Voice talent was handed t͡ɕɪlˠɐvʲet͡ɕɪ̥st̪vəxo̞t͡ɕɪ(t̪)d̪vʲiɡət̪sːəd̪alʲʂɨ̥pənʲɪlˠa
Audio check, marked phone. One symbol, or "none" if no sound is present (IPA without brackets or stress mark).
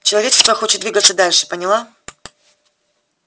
t̪